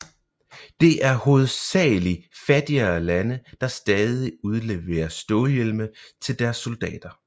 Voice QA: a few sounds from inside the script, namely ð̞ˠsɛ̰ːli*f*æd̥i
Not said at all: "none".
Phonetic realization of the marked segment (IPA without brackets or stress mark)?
f